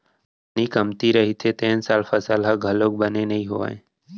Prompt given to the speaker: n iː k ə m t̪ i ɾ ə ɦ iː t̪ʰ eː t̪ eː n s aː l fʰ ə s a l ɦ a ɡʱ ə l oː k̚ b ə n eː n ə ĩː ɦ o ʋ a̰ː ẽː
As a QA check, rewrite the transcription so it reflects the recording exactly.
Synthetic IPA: n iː k ə m t̪ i ɾ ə ɦ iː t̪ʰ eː t̪ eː n s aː l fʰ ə s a l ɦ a ɡʱ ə l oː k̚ b ə n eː n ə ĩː ɦ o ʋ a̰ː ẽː